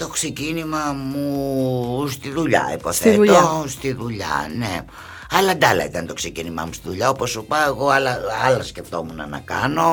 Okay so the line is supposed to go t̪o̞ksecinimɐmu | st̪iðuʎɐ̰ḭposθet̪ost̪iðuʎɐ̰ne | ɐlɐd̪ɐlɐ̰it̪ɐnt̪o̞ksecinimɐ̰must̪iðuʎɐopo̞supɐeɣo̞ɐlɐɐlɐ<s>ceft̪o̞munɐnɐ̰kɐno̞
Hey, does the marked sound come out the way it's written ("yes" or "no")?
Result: yes